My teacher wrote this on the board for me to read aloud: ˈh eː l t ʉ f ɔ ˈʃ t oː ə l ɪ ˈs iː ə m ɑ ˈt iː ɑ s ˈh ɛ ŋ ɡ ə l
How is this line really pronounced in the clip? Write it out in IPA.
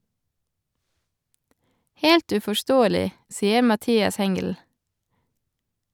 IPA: ˈh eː l t ʉ f ɔ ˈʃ t oː ə l ɪ ˈs iː ə m ɑ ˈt iː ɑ s ˈh ɛ ŋ ɡ ə l